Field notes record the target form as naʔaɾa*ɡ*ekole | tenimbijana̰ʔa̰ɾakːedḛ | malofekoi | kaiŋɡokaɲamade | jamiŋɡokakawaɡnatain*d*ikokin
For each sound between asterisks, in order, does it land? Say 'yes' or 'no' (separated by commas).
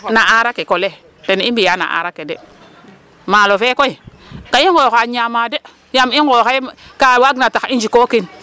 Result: no, no